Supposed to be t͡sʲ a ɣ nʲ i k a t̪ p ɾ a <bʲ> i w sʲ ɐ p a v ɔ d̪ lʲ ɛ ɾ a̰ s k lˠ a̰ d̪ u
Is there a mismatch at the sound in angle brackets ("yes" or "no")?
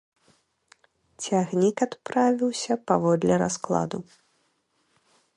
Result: yes